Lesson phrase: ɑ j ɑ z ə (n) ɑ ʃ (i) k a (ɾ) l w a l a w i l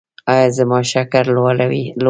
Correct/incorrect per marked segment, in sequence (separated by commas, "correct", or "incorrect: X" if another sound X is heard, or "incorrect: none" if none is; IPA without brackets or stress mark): incorrect: m, incorrect: a, correct